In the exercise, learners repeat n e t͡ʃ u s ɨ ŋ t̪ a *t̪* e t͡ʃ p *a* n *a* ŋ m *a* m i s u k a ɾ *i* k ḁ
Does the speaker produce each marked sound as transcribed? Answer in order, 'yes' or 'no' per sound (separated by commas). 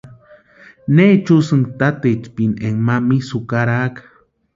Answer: yes, no, no, yes, no